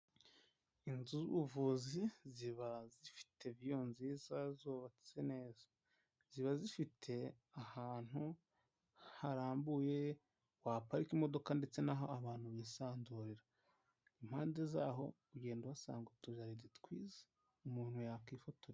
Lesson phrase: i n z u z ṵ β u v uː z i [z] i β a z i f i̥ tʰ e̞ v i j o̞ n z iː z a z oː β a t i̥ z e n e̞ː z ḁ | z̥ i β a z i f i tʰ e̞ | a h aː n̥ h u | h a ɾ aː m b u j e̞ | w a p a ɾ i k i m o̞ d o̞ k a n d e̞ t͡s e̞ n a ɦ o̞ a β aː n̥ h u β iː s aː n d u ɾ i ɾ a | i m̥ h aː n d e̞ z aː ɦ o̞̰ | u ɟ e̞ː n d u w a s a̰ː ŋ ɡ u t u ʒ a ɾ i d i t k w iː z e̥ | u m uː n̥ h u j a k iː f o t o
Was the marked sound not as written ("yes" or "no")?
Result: no